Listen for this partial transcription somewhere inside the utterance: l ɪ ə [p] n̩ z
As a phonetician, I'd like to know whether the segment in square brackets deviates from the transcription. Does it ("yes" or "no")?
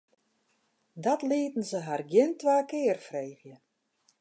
yes